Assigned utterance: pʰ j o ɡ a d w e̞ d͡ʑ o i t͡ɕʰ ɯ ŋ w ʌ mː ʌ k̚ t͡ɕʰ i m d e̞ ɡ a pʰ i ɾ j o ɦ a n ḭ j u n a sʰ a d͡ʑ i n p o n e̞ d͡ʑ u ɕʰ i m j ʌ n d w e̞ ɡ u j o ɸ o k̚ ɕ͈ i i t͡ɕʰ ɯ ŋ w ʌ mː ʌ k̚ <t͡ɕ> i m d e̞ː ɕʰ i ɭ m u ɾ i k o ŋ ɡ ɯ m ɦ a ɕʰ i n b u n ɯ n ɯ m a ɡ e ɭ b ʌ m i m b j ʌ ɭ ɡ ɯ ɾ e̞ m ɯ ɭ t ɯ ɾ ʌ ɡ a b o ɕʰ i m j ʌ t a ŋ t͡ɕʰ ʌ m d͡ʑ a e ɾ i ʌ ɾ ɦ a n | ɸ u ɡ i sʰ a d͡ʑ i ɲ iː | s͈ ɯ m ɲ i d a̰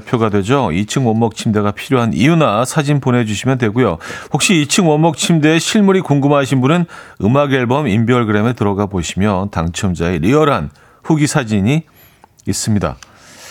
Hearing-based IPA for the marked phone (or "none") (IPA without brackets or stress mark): t͡ɕʰ